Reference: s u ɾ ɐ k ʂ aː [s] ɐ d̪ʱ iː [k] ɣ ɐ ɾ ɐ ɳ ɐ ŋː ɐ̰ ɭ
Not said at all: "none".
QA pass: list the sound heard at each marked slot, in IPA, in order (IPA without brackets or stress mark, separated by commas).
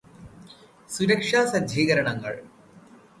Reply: s, none